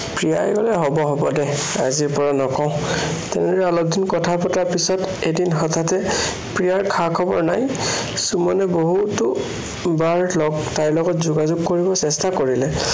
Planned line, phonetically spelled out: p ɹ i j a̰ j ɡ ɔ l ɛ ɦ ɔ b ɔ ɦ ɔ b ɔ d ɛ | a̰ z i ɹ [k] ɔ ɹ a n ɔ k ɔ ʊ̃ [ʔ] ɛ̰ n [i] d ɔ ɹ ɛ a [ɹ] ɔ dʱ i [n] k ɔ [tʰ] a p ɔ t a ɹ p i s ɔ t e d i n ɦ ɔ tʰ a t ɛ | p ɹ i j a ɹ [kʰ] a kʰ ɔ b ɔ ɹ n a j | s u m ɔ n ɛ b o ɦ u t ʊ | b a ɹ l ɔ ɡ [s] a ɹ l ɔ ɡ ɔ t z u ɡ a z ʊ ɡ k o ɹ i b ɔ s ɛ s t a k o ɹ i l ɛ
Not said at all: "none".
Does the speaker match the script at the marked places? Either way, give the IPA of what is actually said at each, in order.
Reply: p, t, ɛ, l, n, tʰ, kʰ, t

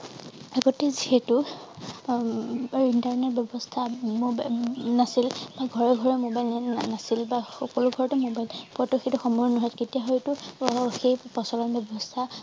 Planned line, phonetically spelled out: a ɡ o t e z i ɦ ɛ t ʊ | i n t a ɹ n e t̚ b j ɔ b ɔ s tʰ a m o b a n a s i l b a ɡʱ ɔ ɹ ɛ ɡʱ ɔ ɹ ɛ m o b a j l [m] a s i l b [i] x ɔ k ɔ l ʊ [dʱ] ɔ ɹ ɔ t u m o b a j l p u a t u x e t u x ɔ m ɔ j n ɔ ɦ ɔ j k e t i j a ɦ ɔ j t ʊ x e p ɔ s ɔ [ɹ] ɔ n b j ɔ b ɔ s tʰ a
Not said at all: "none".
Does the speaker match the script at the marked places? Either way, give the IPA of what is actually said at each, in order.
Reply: n, a, ɡʱ, l

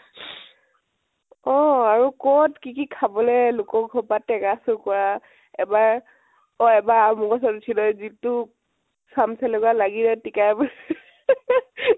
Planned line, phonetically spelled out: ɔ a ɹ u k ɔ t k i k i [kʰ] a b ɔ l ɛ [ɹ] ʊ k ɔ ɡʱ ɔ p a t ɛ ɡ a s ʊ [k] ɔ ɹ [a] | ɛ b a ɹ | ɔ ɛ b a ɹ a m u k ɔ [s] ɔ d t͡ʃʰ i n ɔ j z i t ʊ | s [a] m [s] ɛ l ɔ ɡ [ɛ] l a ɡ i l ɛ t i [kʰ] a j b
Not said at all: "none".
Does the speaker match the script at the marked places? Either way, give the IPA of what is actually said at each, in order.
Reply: kʰ, l, k, a, s, a, s, a, k

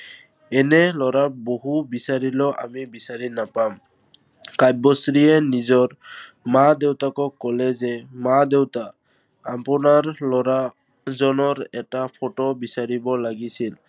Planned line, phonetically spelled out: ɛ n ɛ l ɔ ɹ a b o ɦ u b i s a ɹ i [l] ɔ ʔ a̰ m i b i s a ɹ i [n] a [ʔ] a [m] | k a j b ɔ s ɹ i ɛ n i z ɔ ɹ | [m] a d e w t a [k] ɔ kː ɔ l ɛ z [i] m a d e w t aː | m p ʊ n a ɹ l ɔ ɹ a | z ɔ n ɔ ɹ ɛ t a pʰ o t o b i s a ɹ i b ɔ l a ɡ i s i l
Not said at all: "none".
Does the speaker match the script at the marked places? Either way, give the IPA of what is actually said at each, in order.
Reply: l, n, p, m, m, k, ɛ

